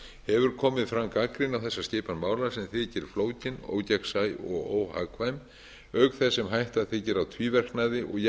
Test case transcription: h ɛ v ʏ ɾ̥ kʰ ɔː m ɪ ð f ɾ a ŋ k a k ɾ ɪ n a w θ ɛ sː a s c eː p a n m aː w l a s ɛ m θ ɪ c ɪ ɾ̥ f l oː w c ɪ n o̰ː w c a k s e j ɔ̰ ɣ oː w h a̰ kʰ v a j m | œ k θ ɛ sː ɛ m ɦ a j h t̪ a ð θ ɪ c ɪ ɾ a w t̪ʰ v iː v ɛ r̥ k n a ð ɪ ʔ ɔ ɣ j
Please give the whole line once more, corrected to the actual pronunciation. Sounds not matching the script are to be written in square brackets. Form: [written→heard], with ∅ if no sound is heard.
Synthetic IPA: h ɛ v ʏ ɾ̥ kʰ ɔː m ɪ ð f ɾ a ŋ k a k ɾ ɪ n a w θ ɛ sː a s c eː p a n m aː w l a s ɛ m θ ɪ c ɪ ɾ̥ f l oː w c ɪ n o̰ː w c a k s [e→a] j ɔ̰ ɣ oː w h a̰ kʰ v a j m | œ k θ ɛ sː ɛ m ɦ a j h t̪ a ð θ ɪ c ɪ ɾ a w t̪ʰ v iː v ɛ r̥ k n a ð ɪ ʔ ɔ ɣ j